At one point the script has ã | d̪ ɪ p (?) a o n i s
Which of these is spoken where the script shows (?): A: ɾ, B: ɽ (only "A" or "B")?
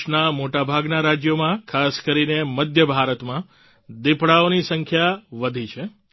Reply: B